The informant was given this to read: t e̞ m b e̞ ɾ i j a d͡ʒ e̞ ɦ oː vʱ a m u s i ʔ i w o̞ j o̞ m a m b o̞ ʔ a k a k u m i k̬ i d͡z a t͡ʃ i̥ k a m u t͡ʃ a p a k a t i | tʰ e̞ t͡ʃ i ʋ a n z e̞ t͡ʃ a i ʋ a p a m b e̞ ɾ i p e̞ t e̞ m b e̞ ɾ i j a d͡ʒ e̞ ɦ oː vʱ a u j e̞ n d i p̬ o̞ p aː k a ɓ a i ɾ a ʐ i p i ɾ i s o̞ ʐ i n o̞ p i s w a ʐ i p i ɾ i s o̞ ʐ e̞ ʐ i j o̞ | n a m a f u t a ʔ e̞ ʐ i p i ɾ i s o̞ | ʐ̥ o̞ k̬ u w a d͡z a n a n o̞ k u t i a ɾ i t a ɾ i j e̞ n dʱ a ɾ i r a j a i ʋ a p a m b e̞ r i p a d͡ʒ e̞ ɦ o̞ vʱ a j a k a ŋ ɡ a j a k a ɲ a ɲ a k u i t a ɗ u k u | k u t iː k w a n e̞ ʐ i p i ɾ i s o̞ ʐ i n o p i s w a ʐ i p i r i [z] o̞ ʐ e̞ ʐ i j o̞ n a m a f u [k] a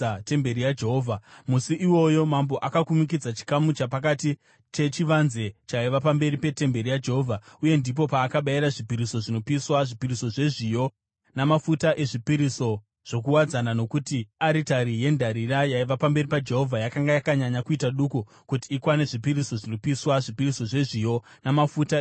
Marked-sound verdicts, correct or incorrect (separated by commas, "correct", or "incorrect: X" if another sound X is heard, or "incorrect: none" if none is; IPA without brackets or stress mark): incorrect: s, incorrect: t